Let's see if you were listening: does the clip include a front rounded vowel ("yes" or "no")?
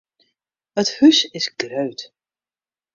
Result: yes